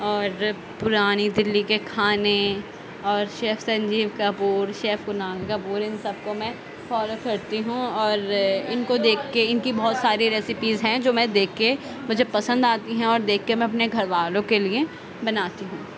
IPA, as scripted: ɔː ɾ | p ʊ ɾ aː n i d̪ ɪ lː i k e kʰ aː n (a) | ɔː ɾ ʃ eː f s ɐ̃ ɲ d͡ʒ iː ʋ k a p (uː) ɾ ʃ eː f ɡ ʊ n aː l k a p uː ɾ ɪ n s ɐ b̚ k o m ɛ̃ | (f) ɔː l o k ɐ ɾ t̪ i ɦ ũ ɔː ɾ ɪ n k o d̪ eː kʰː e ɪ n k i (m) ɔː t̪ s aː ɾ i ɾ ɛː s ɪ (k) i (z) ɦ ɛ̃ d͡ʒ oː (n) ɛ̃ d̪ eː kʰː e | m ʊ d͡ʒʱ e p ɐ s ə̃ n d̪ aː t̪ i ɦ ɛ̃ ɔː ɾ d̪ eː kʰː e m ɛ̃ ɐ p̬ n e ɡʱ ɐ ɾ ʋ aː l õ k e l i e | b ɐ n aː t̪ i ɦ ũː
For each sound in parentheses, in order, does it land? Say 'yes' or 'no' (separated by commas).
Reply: no, yes, yes, no, no, yes, no